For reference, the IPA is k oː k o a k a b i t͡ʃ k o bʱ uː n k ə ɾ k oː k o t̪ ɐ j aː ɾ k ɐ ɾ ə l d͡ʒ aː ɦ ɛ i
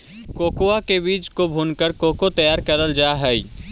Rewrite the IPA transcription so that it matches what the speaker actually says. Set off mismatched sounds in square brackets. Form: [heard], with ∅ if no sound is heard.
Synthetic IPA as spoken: k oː k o a k [e] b [iː] t͡ʃ k o bʱ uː n k ə ɾ k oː k o t̪ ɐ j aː ɾ k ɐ ɾ ə l d͡ʒ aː ɦ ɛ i